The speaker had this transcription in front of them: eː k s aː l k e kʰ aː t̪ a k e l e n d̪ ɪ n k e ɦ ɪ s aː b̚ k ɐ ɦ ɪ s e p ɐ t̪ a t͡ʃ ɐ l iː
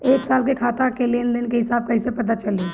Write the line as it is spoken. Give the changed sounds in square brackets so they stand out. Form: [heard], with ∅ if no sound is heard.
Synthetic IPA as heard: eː k s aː l k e kʰ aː t̪ a k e l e n d̪ ɪ n k e ɦ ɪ s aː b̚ k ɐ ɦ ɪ s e p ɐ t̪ a t͡ʃ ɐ l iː

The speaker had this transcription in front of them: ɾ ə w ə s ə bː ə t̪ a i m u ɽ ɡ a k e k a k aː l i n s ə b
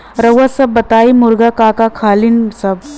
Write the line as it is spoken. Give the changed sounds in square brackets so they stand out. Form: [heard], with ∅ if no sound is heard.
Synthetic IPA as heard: ɾ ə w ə s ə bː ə t̪ a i m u [ɾ] ɡ a k [a] k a [kʰ] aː l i n s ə b

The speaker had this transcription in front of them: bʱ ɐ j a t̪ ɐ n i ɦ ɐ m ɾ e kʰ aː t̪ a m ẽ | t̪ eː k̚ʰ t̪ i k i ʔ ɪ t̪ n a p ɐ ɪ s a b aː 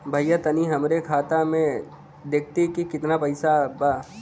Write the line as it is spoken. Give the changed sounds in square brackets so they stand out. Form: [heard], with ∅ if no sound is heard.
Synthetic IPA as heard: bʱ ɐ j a t̪ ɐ n i ɦ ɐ m ɾ e kʰ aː t̪ a m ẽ | [d̪] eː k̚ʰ t̪ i k i [k] ɪ t̪ n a p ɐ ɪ s a b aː

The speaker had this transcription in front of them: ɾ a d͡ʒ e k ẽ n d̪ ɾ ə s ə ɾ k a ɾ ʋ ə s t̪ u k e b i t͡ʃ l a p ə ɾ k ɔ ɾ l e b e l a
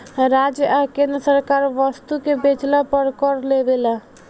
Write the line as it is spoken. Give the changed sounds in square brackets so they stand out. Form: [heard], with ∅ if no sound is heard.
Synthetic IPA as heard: ɾ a d͡ʒ [a] k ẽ n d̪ ɾ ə s ə ɾ k a ɾ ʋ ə s t̪ u k e b [e] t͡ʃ l a p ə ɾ k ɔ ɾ l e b e l a

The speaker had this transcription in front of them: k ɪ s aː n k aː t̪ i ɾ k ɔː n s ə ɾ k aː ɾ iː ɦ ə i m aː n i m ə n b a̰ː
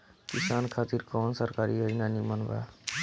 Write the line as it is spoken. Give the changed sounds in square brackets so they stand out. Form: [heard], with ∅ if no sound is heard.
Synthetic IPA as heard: k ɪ s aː n [kʰ] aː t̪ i ɾ k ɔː n s ə ɾ k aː ɾ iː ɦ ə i [n] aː n i m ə n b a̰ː

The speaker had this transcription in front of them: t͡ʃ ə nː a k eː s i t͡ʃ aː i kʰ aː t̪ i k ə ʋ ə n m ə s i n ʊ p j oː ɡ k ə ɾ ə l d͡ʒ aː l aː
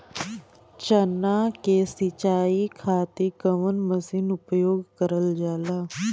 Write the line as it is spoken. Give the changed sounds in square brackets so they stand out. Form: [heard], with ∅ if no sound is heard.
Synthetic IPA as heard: t͡ʃ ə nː a k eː s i t͡ʃ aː i kʰ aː t̪ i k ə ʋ ə n m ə s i n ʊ p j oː ɡ k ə ɾ ə l d͡ʒ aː l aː

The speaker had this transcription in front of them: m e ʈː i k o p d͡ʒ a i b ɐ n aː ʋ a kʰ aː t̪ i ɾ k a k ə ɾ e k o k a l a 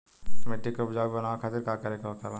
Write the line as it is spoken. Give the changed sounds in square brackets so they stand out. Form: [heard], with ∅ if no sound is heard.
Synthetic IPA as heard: m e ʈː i k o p d͡ʒ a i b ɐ n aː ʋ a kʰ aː t̪ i ɾ k a k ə ɾ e k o k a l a

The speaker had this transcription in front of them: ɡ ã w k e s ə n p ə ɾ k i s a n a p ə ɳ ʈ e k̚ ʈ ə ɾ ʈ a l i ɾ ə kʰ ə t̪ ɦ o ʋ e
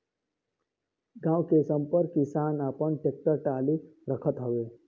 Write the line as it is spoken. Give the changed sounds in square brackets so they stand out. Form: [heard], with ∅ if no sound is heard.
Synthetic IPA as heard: ɡ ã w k e s ə [m] p ə ɾ k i s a n a p ə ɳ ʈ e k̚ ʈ ə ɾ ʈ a l i ɾ ə kʰ ə t̪ ɦ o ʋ e

